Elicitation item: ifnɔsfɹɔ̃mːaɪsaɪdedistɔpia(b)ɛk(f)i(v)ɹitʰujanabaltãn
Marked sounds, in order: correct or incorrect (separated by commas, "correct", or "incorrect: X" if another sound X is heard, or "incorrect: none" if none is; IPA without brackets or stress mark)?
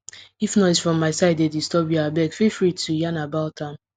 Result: correct, correct, incorrect: f